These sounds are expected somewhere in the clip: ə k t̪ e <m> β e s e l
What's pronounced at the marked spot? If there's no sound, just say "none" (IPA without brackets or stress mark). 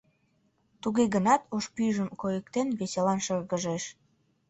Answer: n